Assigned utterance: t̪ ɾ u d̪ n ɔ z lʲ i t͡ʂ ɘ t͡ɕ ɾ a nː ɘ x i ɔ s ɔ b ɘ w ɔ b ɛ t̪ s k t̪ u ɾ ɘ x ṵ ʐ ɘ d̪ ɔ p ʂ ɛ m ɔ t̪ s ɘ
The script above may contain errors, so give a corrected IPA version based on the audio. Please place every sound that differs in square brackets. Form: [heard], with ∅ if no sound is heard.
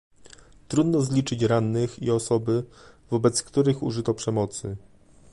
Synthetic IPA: t̪ ɾ u d̪ n ɔ z lʲ i t͡ʂ ɘ t͡ɕ ɾ a nː ɘ x i ɔ s ɔ b ɘ [v] ɔ b ɛ t̪ s k t̪ u ɾ ɘ x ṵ ʐ ɘ [t̪] ɔ p ʂ ɛ m ɔ t̪ s ɘ